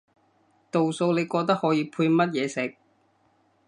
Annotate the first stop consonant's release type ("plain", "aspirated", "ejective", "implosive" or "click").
plain